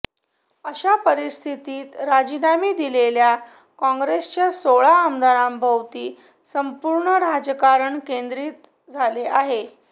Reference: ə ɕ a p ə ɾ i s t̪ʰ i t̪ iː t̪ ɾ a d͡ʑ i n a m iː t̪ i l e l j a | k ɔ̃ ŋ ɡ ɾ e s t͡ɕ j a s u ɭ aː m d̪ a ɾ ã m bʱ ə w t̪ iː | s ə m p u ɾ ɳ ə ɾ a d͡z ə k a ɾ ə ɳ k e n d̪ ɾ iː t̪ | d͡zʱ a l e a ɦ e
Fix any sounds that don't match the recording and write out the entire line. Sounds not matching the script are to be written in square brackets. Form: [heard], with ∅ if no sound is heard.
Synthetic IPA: ə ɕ a p ə ɾ i s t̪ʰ i t̪ iː t̪ ɾ a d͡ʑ i n a m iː [d̪] i l e l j a | k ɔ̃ ŋ ɡ ɾ e s t͡ɕ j a s [o] ɭ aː m d̪ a ɾ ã m bʱ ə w t̪ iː | s ə m p u ɾ ɳ ə ɾ a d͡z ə k a ɾ ə ɳ k e n d̪ ɾ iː t̪ | d͡zʱ a l e a ɦ e